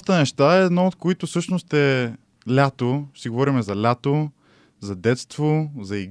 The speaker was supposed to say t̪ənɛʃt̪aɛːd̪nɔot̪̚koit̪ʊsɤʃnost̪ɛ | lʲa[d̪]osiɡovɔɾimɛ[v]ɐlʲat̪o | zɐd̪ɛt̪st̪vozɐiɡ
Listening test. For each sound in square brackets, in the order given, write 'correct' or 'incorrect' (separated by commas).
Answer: incorrect, incorrect